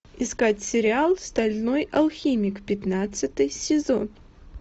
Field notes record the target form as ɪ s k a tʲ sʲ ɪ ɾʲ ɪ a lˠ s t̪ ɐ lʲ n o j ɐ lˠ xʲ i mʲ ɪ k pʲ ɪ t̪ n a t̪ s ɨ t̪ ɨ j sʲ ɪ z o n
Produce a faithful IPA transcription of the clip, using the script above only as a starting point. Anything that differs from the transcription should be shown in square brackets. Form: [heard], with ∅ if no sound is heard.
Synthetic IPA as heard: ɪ s k a tʲ sʲ ɪ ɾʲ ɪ a lˠ s t̪ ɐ lʲ n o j ɐ lˠ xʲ i mʲ ɪ k pʲ ɪ t̪ n a t̪ s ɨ t̪ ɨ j sʲ ɪ z o n